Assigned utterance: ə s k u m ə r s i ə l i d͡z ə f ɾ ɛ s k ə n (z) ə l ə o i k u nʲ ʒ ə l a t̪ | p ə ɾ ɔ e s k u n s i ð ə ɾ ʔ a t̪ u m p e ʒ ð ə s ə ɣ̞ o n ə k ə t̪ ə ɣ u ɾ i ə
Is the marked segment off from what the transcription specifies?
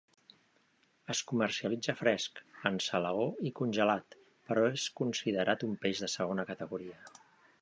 yes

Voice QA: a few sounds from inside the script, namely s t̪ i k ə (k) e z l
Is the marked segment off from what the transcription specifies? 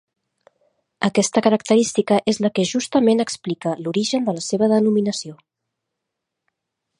yes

